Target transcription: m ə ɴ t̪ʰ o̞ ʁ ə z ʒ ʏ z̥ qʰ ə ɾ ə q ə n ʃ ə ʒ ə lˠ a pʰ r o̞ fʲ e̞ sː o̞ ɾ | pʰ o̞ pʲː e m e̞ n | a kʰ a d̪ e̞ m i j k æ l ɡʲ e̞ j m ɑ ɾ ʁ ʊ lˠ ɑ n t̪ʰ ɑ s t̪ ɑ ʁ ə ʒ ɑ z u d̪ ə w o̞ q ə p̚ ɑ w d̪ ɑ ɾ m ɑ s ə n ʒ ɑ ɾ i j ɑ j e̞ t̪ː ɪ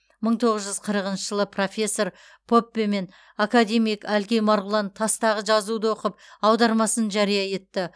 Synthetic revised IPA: m ə ɴ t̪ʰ o̞ ʁ ə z ʒ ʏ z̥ qʰ ə ɾ ə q ə n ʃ ə ʒ ə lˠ ə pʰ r o̞ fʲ e̞ sː o̞ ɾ | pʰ o̞ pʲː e m e̞ n | a k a d̪ e̞ m i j k æ l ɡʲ e̞ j m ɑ ɾ ʁ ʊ lˠ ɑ n t̪ʰ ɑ s t̪ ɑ ʁ ə ʒ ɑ z u d̪ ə w o̞ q ə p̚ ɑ w d̪ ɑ ɾ m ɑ s ə n ʒ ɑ ɾ i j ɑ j e̞ t̪ː ɪ